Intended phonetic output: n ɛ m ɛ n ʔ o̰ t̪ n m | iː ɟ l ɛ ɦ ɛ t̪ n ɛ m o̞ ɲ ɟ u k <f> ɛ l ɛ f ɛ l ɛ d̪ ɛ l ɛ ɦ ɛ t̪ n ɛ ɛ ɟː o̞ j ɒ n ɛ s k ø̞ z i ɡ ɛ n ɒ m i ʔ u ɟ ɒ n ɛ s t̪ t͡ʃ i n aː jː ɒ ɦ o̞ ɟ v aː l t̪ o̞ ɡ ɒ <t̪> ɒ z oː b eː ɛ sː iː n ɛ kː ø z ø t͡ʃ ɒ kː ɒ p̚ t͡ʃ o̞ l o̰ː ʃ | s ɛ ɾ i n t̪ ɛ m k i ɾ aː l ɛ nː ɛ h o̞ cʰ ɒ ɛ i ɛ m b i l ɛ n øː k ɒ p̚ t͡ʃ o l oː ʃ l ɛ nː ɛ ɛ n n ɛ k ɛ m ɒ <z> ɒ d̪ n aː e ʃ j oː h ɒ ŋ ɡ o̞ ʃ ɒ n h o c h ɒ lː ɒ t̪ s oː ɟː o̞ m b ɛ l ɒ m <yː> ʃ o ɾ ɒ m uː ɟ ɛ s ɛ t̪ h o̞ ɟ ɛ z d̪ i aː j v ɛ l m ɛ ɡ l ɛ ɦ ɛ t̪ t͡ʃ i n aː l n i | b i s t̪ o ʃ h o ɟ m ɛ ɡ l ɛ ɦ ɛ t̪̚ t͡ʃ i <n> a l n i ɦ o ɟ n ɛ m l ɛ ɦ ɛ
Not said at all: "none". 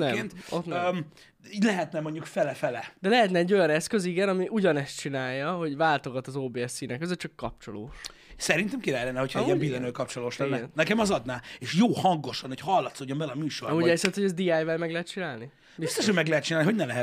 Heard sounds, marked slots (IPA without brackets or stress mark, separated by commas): f, t̪, z, yː, n